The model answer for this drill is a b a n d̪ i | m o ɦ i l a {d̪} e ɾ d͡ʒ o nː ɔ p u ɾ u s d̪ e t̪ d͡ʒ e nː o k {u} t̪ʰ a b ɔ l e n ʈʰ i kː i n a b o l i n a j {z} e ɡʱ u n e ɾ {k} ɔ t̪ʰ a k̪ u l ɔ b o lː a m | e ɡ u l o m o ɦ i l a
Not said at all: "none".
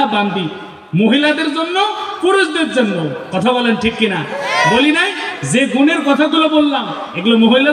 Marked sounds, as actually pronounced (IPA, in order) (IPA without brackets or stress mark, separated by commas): d̪, ɔ, z, k